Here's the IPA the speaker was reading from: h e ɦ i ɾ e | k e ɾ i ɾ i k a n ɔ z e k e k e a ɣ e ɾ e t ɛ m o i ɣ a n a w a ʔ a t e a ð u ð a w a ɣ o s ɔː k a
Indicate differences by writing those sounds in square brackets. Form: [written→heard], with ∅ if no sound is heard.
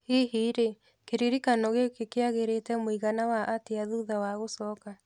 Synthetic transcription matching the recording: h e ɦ i ɾ e | k e ɾ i ɾ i k a n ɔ [z→ɣ] e k e k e a ɣ e ɾ e t ɛ m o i ɣ a n a w a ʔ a t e a ð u ð a w a ɣ o s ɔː k a